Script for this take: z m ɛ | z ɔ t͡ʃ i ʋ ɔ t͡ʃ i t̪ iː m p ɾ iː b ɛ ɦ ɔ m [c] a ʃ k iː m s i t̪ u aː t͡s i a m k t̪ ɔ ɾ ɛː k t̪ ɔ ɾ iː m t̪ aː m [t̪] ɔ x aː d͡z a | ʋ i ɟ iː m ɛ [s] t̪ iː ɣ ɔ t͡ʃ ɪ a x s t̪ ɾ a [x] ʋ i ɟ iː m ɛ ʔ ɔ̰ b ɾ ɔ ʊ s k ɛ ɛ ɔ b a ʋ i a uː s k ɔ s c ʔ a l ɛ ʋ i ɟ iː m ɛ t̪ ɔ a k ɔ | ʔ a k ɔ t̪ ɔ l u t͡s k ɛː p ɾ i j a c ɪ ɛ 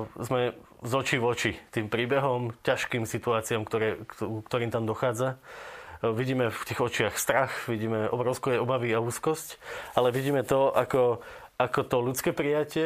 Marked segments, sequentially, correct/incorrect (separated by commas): correct, incorrect, incorrect, correct